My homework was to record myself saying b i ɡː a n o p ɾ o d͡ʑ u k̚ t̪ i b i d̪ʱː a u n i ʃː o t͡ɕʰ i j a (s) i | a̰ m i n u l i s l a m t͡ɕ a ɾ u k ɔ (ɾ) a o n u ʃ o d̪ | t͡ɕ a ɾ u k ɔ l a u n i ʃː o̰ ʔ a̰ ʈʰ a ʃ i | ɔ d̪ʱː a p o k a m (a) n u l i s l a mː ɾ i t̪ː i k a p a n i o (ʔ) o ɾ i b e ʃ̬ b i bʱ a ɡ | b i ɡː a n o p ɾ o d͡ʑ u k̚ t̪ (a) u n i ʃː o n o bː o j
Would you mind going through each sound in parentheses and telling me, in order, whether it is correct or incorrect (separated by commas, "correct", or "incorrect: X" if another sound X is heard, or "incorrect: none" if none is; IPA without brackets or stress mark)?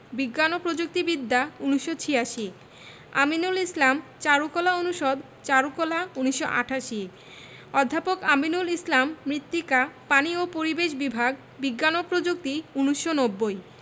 incorrect: ʃ, incorrect: l, incorrect: i, incorrect: p, incorrect: i